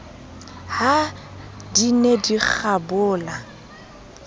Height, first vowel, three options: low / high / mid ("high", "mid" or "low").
low